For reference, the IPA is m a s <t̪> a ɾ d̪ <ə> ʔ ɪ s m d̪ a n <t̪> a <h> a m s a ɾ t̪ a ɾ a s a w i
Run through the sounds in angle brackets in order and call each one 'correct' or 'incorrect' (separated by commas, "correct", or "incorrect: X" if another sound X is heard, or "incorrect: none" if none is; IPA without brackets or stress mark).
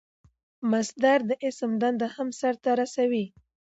incorrect: d̪, correct, incorrect: d̪, correct